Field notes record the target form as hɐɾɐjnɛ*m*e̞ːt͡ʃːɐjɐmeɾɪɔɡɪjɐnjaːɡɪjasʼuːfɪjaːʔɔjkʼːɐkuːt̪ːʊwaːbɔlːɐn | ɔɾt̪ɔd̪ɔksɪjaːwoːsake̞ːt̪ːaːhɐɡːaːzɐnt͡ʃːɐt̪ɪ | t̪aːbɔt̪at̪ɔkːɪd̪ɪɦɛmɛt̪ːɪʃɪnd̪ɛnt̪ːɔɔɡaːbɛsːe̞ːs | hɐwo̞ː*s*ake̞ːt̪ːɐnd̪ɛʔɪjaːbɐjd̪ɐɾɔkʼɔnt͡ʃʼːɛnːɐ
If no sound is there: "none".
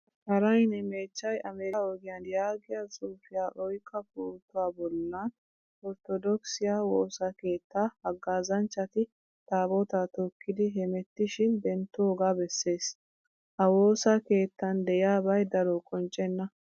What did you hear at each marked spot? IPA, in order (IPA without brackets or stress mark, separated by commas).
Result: m, s